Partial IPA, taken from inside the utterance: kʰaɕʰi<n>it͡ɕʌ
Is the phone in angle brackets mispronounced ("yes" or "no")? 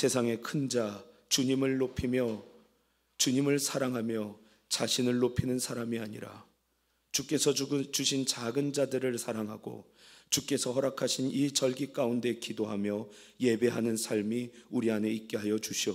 no